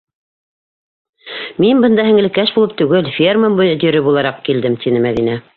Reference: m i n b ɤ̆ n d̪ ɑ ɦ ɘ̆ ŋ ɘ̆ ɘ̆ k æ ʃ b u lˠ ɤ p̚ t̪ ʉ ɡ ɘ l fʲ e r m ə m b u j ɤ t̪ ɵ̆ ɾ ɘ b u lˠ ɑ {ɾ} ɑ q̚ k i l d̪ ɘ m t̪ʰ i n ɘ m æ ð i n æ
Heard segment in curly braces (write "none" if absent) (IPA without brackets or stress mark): ɾ